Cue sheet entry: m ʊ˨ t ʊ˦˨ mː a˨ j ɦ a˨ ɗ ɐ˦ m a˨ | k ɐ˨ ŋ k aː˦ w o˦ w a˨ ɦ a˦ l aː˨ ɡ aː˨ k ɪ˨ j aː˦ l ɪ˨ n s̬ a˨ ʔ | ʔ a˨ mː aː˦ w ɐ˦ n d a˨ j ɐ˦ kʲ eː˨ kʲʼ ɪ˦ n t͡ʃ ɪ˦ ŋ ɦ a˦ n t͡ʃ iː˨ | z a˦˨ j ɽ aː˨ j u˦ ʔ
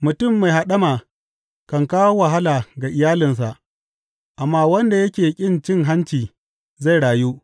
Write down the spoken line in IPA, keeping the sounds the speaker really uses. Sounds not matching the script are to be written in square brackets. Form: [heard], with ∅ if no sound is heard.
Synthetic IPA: m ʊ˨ t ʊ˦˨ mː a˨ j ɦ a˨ ɗ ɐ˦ m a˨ | k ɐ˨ ŋ k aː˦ w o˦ w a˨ ɦ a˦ l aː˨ ɡ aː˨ [ʔ] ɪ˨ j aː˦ l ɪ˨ n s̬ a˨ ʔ | ʔ a˨ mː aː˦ w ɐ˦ n d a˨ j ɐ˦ kʲ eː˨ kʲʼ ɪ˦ n t͡ʃ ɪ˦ ŋ ɦ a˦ n t͡ʃ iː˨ | z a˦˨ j ɽ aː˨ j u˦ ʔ

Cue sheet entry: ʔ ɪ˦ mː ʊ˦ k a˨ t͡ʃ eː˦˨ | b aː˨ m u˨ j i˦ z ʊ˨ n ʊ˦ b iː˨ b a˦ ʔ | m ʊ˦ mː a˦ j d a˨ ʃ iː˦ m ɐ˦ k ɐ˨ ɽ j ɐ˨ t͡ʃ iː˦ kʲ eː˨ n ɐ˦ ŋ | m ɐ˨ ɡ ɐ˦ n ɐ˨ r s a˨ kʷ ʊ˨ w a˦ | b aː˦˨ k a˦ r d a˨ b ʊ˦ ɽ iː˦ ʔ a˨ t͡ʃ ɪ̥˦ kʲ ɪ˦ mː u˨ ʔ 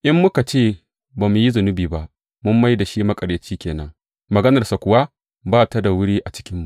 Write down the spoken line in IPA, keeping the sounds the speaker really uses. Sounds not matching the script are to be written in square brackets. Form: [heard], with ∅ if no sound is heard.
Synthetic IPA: ʔ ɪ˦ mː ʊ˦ k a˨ t͡ʃ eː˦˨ | b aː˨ m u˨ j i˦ z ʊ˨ n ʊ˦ b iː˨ b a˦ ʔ | m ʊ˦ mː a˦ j d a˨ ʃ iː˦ m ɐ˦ [kʼ] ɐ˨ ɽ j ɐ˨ t͡ʃ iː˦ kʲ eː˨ n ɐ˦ ŋ | m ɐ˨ ɡ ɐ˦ n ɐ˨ r s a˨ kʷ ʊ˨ w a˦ | b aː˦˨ [t] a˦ [∅] d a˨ [w] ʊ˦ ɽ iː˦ ʔ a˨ t͡ʃ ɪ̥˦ kʲ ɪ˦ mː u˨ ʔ

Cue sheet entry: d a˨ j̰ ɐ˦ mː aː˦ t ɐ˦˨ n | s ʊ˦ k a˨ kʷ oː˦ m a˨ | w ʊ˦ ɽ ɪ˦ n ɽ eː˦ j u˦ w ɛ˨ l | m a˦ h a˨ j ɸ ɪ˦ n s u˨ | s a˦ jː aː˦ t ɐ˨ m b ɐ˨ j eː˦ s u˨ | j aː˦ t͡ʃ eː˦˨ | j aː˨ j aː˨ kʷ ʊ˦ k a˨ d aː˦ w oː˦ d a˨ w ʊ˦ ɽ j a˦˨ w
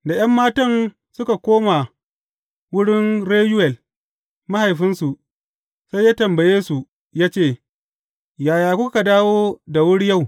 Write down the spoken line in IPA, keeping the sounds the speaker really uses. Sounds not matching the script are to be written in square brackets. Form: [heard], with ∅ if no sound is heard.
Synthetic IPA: d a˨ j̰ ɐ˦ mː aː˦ t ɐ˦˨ n | s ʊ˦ k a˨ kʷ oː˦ m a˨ | w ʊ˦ ɽ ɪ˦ n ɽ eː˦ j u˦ w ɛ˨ l | m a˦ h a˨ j ɸ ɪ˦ n s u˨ | s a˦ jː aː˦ t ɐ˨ m b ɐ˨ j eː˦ s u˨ | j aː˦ t͡ʃ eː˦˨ | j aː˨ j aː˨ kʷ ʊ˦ k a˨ d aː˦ w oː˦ d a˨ w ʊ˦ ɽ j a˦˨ w

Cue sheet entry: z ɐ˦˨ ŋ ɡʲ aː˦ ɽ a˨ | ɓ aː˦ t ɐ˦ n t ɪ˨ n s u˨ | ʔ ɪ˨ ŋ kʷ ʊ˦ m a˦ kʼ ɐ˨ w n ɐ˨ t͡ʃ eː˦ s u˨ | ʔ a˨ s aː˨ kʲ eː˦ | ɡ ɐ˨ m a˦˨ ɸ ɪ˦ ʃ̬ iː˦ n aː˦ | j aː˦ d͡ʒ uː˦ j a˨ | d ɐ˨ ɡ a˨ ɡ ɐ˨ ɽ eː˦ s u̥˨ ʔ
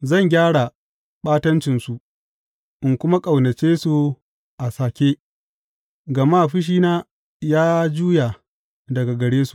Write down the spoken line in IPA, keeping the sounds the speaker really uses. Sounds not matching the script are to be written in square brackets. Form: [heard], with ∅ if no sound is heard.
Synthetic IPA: z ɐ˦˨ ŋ ɡʲ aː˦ ɽ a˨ | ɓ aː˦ t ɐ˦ n [t͡ʃ] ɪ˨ n s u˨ | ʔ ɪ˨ ŋ kʷ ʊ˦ m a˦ kʼ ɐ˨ w n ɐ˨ t͡ʃ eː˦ s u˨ | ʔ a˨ s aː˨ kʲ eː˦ | ɡ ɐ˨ m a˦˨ ɸ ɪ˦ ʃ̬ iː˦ n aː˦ | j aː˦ d͡ʒ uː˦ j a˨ | d ɐ˨ ɡ a˨ ɡ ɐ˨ ɽ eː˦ s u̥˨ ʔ

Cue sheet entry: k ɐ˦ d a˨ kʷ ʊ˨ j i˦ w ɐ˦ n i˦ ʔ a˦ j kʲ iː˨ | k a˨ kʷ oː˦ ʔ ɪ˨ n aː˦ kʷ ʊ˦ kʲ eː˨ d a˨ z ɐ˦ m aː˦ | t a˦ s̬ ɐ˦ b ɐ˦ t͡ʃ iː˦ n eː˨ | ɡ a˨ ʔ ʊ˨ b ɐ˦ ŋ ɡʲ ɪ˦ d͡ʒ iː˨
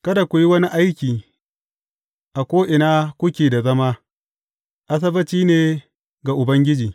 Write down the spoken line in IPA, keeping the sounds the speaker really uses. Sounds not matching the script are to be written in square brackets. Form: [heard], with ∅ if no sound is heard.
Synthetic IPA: k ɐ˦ d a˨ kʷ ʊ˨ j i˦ w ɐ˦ n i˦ ʔ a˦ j kʲ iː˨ | [ʔ] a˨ kʷ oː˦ ʔ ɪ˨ n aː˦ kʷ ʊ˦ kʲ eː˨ d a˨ z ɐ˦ m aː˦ | [ʔ] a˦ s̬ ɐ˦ b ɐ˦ t͡ʃ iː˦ n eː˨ | ɡ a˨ ʔ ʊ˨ b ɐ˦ ŋ ɡʲ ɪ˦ d͡ʒ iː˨

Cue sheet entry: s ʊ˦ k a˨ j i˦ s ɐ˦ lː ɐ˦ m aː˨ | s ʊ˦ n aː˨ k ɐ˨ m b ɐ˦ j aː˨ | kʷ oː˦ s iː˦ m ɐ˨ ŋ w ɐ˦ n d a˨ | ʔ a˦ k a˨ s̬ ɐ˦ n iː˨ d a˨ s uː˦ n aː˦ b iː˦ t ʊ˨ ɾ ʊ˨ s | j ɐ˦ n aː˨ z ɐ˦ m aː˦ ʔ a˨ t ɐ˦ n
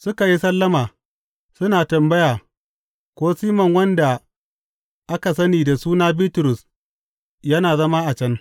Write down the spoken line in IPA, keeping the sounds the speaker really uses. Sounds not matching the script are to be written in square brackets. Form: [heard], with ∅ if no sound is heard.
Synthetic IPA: s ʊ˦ k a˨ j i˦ s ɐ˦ lː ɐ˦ m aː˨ | s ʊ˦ n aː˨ [t] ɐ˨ m b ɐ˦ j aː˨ | kʷ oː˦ s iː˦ m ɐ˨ ŋ w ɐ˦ n d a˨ | ʔ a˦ k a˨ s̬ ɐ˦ n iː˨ d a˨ s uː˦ n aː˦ b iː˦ t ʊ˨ ɾ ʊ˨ s | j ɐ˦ n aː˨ z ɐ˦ m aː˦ ʔ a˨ [t͡ʃ] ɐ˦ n

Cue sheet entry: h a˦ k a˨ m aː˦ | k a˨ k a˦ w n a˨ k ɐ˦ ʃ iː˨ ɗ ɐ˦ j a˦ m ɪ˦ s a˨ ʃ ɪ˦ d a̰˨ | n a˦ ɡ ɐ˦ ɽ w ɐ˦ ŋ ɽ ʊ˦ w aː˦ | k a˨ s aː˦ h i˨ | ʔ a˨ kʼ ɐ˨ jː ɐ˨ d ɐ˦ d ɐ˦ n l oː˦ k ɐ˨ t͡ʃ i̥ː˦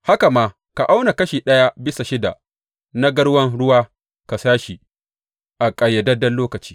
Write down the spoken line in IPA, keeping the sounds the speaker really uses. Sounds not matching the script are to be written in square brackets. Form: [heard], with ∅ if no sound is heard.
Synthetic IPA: h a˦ k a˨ m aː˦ | k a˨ [ʔ] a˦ w n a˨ k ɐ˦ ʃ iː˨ ɗ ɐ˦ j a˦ [b] ɪ˦ s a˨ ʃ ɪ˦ d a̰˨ | n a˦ ɡ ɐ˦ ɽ w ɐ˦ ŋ ɽ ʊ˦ w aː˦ | k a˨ s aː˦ [ʃ] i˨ | ʔ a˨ kʼ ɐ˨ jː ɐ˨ d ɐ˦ d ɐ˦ n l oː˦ k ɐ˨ t͡ʃ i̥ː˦

